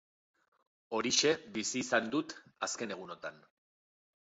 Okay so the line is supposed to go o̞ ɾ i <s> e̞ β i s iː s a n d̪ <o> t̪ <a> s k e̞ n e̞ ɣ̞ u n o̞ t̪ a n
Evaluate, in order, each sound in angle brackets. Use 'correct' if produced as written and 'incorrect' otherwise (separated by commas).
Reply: incorrect, incorrect, correct